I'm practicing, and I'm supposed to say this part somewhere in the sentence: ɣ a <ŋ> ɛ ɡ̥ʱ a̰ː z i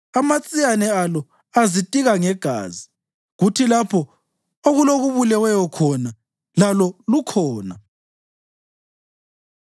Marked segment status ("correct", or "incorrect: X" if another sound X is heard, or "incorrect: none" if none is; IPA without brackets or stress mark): correct